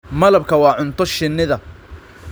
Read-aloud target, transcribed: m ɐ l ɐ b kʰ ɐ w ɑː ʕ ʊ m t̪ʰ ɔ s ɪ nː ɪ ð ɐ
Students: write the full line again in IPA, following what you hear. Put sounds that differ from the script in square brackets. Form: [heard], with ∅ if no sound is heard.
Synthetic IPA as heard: m ɐ l ɐ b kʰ ɐ w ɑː ʕ ʊ [n] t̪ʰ ɔ [ʃ] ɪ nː ɪ ð ɐ